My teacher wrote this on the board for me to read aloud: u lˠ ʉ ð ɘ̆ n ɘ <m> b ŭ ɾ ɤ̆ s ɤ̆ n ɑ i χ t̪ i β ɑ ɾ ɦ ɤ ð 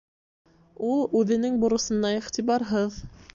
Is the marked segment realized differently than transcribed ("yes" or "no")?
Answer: yes